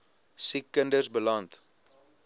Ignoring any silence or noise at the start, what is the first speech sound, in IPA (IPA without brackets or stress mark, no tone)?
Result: s